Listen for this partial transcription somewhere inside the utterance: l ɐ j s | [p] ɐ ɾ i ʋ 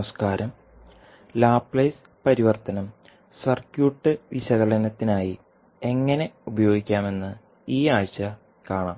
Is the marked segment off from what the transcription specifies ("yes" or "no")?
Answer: no